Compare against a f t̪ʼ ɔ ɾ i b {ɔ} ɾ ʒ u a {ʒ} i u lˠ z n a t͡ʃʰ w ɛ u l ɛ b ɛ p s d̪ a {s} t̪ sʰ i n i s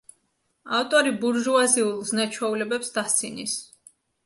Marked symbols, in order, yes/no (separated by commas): no, no, yes